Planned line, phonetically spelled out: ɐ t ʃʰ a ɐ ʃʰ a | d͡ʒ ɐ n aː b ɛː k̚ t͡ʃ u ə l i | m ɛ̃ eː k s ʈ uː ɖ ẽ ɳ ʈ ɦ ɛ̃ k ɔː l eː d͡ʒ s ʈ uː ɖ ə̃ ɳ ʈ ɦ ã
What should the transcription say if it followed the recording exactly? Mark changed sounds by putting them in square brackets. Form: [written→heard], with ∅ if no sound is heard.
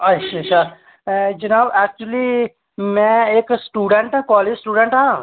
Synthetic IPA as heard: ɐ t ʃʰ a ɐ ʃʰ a | d͡ʒ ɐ n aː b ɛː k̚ t͡ʃ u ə l i | m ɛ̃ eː k s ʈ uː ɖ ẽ ɳ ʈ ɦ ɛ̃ k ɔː l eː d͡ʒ s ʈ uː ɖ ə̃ ɳ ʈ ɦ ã